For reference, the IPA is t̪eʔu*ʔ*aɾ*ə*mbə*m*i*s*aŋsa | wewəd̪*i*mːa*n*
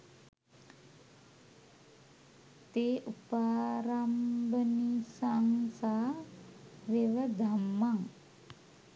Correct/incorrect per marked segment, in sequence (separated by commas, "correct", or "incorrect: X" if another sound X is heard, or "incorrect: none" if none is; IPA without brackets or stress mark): incorrect: p, incorrect: a, incorrect: n, correct, incorrect: a, incorrect: ŋ